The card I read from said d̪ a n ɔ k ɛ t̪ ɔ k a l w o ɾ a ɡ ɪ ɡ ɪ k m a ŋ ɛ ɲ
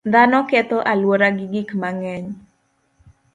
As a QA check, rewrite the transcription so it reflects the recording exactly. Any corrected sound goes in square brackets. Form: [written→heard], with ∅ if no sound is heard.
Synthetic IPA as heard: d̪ a n ɔ k ɛ t̪ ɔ [k→ʔ] a l w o ɾ a ɡ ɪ ɡ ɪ k m a ŋ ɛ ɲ